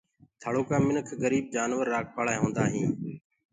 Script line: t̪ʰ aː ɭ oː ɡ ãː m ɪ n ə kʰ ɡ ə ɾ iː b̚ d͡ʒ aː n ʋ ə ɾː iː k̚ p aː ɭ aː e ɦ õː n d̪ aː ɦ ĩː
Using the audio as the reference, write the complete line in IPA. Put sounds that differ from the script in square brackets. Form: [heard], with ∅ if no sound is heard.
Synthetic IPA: t̪ʰ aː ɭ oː [k] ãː m ɪ n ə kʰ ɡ ə ɾ iː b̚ d͡ʒ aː n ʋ ə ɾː [aː] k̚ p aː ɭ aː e ɦ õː n d̪ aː ɦ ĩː